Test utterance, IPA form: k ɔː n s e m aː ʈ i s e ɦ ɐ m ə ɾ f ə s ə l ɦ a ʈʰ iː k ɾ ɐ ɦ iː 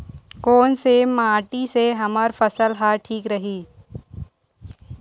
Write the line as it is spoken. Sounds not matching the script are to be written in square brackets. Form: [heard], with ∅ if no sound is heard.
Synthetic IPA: k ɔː n s e m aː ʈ i s e ɦ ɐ m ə ɾ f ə s ə l ɦ a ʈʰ iː k ɾ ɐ ɦ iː